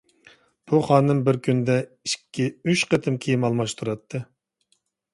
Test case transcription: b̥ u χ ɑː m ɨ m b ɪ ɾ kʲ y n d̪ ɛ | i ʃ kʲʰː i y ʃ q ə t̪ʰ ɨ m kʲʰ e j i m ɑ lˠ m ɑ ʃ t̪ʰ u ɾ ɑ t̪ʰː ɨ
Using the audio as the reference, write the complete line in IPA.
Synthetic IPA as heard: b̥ u χ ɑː n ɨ m b ɪ ɾ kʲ y n d̪ ɛ | i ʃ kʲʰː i y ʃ q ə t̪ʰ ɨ m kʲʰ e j i m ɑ lˠ m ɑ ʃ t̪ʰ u ɾ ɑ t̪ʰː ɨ